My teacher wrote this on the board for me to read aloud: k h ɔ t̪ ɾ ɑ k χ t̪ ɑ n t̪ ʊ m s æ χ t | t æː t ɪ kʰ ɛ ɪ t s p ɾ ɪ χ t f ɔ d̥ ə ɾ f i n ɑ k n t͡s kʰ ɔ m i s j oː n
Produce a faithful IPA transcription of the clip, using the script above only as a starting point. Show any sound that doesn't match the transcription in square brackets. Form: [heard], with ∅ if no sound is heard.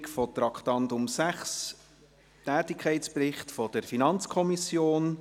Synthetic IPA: k [f] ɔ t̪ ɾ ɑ k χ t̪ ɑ n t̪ ʊ m s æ χ [s] | t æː t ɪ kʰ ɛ ɪ t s p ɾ ɪ χ t f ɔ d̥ ə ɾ f i n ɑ [∅] n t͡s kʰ ɔ m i s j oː n